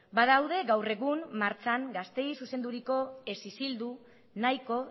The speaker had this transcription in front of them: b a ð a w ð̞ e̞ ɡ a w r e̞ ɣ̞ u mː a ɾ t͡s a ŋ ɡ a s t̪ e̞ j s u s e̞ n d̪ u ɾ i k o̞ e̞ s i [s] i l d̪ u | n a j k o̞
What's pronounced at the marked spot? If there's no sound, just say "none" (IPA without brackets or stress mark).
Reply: s